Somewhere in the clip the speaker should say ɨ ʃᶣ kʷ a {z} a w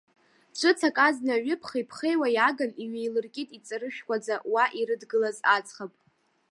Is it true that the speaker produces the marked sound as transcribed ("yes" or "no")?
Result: no